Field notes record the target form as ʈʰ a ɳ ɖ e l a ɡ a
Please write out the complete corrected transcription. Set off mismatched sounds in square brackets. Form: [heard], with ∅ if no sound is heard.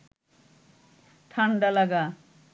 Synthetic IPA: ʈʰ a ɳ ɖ [a] l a ɡ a